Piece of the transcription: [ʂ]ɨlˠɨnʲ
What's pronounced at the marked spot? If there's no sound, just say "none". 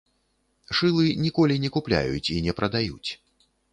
ʂ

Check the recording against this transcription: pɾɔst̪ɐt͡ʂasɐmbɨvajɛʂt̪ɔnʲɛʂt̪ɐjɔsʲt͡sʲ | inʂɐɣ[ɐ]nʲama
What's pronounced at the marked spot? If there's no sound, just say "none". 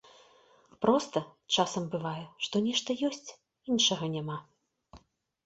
ɐ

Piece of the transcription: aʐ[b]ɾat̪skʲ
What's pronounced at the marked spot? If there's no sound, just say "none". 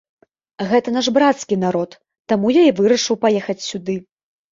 b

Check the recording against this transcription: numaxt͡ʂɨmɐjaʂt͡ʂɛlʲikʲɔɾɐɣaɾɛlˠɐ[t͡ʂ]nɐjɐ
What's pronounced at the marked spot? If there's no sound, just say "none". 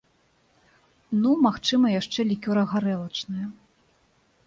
t͡ʂ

